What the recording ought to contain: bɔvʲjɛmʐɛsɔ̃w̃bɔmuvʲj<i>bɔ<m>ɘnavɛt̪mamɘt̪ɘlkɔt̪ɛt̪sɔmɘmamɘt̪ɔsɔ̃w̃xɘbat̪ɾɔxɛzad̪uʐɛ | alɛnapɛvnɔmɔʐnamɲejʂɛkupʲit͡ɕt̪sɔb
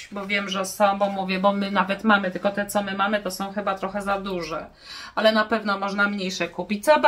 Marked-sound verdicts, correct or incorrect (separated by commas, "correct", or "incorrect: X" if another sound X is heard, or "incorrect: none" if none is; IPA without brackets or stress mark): incorrect: ɛ, correct